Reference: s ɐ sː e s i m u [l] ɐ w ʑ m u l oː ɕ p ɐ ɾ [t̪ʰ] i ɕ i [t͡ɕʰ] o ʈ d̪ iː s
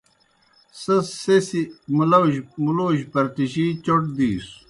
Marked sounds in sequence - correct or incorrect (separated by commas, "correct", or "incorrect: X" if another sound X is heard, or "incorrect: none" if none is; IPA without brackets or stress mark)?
correct, incorrect: t̪, incorrect: t͡ɕ